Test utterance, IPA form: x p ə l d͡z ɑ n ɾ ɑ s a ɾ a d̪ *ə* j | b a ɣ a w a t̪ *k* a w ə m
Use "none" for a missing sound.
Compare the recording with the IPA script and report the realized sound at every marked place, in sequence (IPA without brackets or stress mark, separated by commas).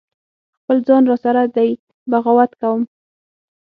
a, k